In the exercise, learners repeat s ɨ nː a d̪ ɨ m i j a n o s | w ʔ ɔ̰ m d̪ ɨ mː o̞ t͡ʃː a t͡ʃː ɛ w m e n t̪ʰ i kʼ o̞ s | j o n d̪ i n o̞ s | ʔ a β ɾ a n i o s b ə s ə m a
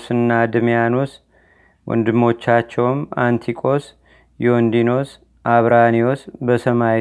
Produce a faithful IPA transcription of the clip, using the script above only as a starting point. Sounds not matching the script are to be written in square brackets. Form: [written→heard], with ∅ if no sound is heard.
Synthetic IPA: s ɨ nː a d̪ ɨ m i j a n o s | w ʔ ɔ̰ [m→n] d̪ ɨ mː o̞ t͡ʃː a t͡ʃː ɛ w m [e→a] n t̪ʰ i kʼ o̞ s | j o n d̪ i n o̞ s | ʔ a β ɾ a n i o s b ə s ə m a